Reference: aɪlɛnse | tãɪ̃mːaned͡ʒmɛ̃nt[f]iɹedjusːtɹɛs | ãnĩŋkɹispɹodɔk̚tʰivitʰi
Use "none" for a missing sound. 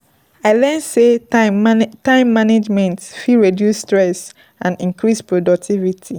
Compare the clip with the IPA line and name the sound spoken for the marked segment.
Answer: f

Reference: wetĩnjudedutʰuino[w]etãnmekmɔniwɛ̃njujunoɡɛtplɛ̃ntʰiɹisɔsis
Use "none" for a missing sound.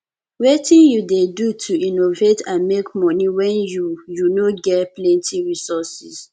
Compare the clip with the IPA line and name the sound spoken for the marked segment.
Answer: v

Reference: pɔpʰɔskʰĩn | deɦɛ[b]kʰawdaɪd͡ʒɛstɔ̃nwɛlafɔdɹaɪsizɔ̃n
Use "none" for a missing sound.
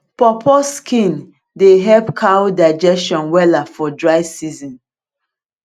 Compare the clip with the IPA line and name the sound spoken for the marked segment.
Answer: p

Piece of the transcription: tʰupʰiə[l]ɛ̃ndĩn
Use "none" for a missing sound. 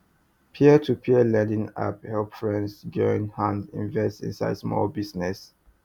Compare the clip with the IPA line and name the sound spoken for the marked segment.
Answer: l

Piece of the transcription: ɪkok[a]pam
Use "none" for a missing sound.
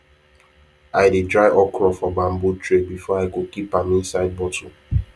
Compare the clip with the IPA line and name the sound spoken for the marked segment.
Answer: i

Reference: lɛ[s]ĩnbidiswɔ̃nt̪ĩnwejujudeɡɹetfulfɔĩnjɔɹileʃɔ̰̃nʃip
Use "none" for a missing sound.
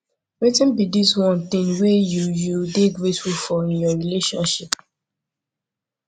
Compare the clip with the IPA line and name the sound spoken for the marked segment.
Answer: t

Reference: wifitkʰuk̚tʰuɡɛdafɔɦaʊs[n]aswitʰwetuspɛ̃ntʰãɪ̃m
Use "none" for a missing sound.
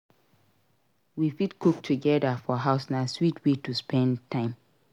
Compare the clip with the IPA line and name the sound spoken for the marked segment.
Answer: n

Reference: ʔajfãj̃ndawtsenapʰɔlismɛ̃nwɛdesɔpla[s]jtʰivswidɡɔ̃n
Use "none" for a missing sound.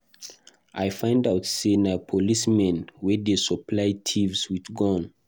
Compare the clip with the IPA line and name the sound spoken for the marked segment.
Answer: none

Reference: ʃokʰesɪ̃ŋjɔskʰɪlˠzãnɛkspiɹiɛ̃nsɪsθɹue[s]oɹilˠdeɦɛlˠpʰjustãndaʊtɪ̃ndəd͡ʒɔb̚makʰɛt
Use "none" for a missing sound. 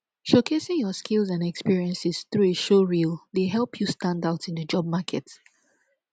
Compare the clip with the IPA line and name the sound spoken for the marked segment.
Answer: ʃ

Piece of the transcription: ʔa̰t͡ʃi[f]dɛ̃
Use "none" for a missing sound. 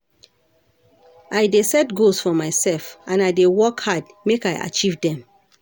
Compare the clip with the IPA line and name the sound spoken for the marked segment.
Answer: v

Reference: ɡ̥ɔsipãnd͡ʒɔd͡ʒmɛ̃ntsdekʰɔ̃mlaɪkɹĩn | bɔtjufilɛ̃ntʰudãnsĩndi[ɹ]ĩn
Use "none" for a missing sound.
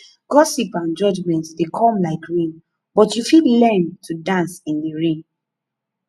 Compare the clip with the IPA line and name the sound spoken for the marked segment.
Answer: ɹ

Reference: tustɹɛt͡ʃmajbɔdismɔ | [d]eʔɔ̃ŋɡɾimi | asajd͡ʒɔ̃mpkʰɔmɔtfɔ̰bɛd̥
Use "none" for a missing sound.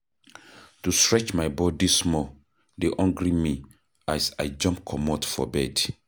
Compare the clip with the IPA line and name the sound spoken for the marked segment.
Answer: d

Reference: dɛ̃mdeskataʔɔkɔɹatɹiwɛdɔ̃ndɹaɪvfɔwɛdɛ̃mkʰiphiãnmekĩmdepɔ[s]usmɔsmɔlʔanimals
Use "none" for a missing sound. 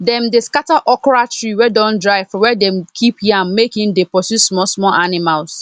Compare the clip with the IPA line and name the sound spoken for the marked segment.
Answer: s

